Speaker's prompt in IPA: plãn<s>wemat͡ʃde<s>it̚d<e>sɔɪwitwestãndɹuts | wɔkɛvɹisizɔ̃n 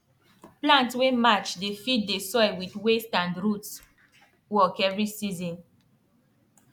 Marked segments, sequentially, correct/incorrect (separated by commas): incorrect, incorrect, correct